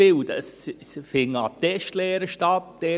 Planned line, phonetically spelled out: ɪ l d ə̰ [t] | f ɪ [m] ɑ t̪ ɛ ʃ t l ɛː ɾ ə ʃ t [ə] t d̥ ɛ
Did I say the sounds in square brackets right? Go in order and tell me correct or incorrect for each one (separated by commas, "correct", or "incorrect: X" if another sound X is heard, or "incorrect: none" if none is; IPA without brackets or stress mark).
incorrect: s, incorrect: ŋ, incorrect: ɑ